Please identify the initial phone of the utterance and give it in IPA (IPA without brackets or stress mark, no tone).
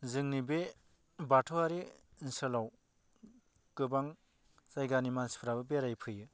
z